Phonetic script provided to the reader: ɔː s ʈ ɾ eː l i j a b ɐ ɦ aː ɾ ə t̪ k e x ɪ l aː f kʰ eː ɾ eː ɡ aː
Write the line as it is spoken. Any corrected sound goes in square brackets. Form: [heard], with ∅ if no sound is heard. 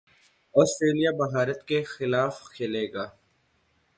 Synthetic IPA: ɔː s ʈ ɾ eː l i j a b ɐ ɦ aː ɾ ə t̪ k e x ɪ l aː f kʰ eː [l] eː ɡ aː